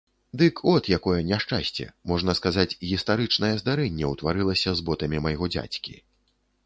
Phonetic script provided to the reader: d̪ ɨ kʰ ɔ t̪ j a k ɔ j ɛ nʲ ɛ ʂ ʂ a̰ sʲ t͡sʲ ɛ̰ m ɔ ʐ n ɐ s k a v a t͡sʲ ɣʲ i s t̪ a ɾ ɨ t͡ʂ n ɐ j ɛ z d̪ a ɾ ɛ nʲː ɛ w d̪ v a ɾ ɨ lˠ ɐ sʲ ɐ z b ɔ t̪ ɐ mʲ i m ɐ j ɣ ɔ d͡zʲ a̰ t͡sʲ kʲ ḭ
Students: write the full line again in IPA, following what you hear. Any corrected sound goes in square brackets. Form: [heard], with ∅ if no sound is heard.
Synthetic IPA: d̪ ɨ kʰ ɔ t̪ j a k ɔ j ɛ nʲ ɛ ʂ [t͡ʂ] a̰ sʲ t͡sʲ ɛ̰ m ɔ ʐ n ɐ s k a [z] a t͡sʲ ɣʲ i s t̪ a ɾ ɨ t͡ʂ n ɐ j ɛ z d̪ a ɾ ɛ nʲː ɛ w [t̪] v a ɾ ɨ lˠ ɐ sʲ ɐ z b ɔ t̪ ɐ mʲ i m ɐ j ɣ ɔ d͡zʲ a̰ t͡sʲ kʲ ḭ